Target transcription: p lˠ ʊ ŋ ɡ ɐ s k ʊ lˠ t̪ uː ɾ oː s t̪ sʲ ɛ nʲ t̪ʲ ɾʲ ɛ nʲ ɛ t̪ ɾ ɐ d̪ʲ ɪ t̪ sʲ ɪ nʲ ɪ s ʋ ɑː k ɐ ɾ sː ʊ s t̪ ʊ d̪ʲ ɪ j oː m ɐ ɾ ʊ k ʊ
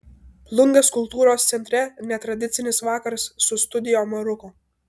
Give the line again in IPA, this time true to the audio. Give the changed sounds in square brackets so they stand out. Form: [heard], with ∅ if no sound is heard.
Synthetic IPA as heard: p lˠ ʊ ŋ ɡ ɐ s k ʊ lˠ t̪ uː ɾ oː s t̪ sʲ ɛ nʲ t̪ʲ ɾʲ ɛ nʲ ɛ t̪ ɾ ɐ d̪ʲ ɪ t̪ sʲ ɪ nʲ ɪ s ʋ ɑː k ɐ ɾ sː ʊ s t̪ ʊ d̪ʲ ɪ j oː m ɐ ɾ ʊ k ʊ